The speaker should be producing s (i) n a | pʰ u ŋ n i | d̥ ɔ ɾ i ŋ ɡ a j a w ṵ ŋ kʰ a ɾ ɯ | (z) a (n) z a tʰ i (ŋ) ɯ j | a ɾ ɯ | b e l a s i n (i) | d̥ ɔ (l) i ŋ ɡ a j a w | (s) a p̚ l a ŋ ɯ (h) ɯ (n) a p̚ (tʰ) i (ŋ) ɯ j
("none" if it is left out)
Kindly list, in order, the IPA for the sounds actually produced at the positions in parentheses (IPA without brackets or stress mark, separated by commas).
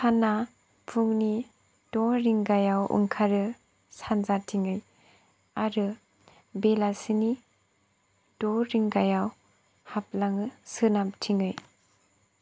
a, s, n, ŋ, i, ɾ, h, s, n, tʰ, ŋ